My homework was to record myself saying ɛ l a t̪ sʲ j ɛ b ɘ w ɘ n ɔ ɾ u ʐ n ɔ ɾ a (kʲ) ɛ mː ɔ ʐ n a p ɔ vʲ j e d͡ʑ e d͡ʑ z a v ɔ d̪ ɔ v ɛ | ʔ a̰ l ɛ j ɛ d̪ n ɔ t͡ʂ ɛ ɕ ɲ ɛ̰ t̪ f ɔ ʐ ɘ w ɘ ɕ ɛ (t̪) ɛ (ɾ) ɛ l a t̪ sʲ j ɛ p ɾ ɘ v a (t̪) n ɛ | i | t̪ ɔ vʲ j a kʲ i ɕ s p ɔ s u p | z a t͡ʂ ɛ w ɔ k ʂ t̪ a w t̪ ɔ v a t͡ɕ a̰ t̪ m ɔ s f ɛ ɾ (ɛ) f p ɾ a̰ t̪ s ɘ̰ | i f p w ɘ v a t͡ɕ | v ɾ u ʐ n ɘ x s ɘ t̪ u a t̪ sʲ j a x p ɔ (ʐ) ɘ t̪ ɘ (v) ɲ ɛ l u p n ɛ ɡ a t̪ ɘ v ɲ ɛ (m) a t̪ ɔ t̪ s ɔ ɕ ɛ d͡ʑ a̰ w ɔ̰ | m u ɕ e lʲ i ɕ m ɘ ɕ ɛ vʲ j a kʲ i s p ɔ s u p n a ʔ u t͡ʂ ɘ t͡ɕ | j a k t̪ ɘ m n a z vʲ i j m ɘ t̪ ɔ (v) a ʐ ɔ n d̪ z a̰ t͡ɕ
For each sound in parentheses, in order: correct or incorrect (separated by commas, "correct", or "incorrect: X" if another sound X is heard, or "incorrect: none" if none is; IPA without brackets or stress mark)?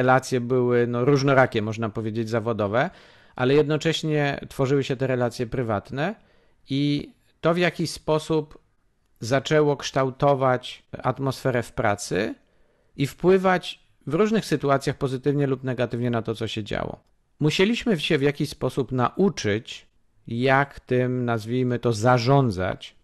correct, correct, correct, correct, correct, incorrect: z, correct, incorrect: n, incorrect: z